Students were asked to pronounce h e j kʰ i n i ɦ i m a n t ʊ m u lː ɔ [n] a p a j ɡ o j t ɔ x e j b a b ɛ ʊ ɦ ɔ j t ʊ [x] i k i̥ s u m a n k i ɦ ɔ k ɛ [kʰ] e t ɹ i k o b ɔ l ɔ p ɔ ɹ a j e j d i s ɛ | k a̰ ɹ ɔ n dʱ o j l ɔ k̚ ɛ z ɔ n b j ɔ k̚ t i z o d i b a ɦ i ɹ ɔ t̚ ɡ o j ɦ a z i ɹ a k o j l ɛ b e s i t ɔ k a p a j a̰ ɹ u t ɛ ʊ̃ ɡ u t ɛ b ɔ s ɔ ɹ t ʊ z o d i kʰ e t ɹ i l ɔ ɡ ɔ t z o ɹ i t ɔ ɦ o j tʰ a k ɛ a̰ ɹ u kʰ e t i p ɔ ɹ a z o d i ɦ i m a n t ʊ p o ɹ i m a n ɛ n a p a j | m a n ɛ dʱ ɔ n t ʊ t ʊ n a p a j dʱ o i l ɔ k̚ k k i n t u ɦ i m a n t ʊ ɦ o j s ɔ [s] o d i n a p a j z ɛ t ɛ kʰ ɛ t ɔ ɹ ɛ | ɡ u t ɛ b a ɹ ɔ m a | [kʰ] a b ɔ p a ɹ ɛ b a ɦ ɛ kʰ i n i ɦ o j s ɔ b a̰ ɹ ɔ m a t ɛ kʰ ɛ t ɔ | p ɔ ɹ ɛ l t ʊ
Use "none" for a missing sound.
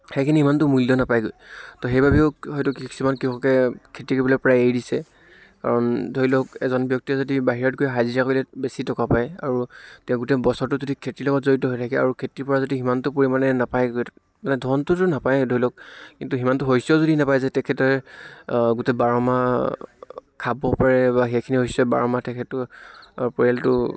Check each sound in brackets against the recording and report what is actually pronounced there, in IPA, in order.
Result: n, k, kʰ, z, kʰ

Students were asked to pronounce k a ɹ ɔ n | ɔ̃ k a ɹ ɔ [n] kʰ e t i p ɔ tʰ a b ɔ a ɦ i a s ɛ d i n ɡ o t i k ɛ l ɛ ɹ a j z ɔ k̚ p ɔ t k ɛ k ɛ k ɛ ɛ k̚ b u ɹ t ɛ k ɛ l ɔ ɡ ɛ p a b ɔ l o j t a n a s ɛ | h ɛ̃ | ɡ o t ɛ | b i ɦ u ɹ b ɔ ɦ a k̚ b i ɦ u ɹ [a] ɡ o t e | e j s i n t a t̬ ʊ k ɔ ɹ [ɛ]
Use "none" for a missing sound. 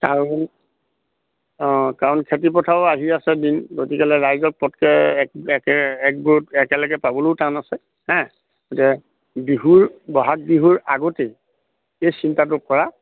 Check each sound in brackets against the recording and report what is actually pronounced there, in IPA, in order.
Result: n, a, a

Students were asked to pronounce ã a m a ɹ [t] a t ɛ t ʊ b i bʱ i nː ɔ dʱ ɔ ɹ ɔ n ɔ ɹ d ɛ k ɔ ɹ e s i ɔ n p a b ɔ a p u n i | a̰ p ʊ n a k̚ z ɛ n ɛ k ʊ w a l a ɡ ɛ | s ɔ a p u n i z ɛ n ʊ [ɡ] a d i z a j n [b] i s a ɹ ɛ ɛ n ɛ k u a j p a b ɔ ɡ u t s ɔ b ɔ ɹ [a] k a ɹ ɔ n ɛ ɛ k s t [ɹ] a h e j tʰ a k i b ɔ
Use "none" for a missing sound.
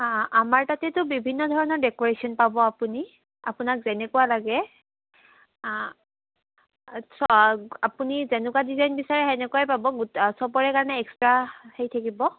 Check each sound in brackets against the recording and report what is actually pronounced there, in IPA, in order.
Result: t, k, b, ɛ, ɹ

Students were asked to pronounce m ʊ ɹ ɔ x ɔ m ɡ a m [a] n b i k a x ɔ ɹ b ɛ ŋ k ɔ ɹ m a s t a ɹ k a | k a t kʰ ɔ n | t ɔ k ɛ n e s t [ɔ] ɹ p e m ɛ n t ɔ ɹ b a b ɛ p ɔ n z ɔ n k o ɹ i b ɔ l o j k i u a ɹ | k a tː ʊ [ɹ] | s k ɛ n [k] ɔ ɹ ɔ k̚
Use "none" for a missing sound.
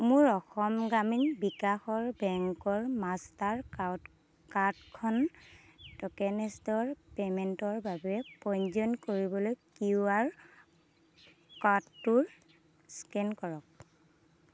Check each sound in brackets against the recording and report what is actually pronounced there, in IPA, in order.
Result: i, ɔ, ɹ, k

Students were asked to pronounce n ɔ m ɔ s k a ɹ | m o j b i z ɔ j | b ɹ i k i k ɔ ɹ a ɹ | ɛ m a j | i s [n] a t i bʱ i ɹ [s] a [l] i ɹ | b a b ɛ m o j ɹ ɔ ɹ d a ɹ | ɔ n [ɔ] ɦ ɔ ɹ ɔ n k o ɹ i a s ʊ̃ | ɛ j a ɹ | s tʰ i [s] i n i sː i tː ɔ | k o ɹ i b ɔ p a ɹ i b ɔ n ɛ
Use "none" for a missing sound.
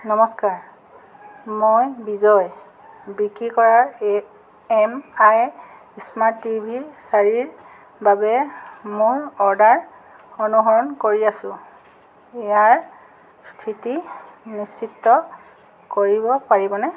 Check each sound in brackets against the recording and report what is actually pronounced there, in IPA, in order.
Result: m, s, ɹ, u, t

